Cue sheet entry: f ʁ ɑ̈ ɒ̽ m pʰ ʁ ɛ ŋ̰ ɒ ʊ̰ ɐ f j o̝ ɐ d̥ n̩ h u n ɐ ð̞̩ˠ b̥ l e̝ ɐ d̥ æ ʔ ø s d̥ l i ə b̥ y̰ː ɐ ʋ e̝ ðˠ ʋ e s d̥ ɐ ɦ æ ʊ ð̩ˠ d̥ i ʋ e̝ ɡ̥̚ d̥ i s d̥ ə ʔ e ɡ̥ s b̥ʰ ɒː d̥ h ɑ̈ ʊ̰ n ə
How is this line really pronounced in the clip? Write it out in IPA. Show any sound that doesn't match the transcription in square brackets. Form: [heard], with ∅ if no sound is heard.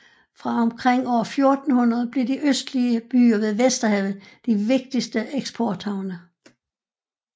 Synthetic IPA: f ʁ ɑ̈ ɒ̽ m [kʰ] ʁ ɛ ŋ̰ ɒ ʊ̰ ɐ f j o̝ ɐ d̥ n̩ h u n ɐ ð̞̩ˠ b̥ l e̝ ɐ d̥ [i] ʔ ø s d̥ l i ə b̥ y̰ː ɐ ʋ e̝ ðˠ ʋ e s d̥ ɐ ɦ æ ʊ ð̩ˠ d̥ i ʋ e̝ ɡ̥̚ d̥ i s d̥ ə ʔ e ɡ̥ s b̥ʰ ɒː d̥ h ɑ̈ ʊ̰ n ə